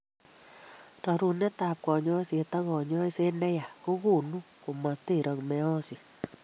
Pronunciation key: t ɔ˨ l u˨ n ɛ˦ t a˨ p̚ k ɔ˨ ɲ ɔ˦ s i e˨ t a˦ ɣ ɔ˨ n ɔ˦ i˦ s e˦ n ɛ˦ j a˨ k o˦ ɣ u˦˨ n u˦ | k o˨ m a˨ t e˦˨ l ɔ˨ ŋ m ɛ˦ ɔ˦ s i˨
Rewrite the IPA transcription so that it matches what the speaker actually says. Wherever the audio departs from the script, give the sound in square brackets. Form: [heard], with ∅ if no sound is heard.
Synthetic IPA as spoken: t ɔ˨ [ɾ] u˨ n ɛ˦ t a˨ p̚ k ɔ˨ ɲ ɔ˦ s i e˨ t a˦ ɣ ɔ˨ [ɲ] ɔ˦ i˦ s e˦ n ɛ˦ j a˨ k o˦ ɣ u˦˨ n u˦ | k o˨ m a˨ t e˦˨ [ɾ] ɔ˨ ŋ m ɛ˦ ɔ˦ s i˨